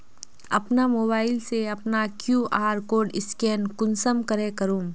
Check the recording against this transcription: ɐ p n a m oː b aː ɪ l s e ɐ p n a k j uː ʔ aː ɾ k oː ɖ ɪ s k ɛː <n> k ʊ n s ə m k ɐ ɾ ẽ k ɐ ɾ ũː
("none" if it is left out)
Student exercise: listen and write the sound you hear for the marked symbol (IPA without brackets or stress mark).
n